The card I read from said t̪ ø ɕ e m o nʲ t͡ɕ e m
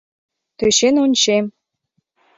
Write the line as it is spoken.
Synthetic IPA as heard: t̪ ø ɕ e n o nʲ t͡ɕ e m